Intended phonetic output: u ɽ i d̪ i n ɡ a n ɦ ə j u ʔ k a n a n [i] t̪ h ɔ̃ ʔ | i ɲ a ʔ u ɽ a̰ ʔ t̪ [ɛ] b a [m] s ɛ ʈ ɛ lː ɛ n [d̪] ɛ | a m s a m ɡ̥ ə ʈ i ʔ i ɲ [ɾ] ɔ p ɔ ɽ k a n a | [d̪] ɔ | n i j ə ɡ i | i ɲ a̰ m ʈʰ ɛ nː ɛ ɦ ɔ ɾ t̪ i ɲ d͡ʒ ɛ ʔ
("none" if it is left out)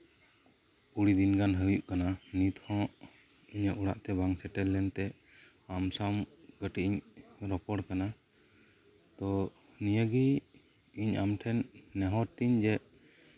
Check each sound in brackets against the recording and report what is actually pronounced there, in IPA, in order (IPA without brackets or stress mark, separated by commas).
i, ɛ, ŋ, t̪, ɾ, t̪